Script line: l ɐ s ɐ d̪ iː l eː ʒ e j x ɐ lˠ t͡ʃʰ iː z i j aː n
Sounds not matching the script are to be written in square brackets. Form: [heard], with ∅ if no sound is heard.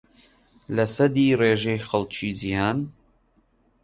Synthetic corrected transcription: l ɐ s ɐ d̪ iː [r] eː ʒ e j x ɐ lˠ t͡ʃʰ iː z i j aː n